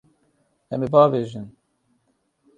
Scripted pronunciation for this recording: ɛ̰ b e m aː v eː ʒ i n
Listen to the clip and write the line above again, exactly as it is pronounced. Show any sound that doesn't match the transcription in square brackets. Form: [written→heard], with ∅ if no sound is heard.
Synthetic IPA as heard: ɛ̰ [b→m] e [m→b] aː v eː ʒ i n